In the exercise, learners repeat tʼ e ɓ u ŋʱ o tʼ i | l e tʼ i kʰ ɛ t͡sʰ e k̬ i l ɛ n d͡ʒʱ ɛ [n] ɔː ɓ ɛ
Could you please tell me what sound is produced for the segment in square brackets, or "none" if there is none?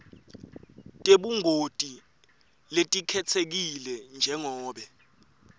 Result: ŋ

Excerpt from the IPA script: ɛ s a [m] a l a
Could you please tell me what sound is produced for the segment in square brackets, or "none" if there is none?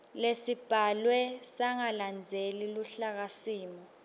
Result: ŋ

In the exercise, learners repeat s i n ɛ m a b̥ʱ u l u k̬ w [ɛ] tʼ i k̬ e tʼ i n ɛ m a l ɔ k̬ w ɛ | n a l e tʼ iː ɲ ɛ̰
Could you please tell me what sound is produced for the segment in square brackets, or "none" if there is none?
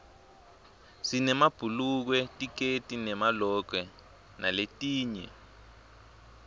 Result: ɛ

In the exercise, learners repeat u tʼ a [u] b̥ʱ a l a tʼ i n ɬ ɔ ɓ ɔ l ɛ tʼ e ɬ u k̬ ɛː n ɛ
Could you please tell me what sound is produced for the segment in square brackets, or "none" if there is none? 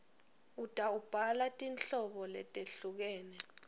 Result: u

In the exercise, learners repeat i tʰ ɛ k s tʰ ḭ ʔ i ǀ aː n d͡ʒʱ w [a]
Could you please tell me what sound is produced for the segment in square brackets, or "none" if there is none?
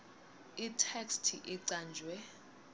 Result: ɛ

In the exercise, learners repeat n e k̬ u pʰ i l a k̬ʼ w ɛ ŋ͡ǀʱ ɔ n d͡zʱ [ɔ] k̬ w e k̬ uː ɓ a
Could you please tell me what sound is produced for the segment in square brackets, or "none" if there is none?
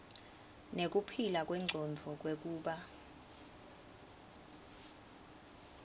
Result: ɔ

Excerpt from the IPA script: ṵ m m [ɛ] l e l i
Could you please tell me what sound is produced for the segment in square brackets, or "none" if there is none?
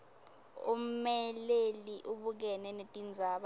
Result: ɛ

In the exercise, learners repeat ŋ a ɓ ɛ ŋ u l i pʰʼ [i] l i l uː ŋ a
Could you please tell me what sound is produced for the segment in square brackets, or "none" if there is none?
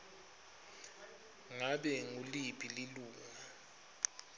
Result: i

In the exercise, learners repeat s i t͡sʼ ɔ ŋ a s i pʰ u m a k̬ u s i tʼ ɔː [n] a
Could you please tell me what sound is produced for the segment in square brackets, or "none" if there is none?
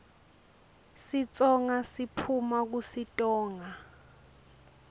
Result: ŋ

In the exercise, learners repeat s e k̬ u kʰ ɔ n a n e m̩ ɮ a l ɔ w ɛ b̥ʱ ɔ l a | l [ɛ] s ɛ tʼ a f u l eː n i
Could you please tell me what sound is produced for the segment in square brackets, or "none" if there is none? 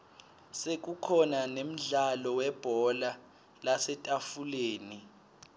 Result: a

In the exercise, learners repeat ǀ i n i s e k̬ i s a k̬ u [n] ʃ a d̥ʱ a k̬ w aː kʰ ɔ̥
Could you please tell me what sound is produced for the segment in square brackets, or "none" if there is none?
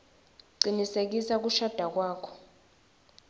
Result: none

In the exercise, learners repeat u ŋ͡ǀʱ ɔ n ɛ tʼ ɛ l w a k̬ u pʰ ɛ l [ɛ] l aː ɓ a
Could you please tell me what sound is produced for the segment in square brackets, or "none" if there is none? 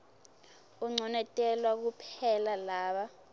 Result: a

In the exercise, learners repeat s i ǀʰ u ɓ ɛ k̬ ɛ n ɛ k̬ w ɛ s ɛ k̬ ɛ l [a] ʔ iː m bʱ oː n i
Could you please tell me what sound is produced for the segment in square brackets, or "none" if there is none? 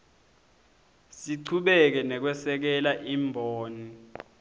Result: a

